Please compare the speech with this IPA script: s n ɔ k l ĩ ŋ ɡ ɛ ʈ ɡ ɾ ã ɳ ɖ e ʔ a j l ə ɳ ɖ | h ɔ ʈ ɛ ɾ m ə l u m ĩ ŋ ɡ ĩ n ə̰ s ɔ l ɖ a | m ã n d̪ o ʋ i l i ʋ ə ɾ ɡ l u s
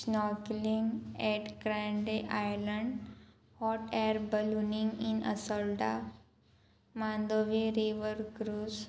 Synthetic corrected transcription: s n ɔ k l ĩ ŋ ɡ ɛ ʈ ɡ ɾ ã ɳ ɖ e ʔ a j l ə ɳ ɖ | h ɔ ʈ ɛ ɾ b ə l u n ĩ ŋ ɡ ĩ n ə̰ s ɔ l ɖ a | m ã n d̪ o ʋ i ɾ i ʋ ə ɾ ɡ ɾ u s